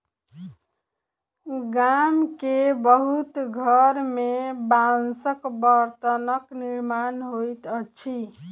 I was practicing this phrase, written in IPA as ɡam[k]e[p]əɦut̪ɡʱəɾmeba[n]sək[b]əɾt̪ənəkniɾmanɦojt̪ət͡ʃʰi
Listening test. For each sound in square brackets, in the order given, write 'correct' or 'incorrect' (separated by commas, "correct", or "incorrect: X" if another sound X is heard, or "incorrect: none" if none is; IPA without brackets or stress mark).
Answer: correct, incorrect: b, correct, correct